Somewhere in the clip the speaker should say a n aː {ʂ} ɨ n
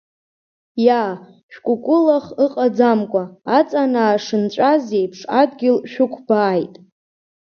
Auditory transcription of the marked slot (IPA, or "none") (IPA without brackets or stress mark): ʂ